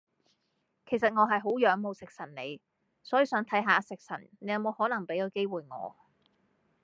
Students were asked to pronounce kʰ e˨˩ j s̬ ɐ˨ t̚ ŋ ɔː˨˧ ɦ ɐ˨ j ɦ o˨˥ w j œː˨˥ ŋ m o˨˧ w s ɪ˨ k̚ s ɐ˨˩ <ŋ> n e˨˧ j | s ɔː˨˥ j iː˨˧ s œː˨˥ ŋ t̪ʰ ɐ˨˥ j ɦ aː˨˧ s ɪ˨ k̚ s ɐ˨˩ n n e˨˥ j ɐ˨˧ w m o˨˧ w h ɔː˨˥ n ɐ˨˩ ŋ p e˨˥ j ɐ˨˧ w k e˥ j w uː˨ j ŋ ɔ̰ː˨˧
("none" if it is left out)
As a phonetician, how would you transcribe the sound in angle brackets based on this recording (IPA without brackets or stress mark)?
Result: n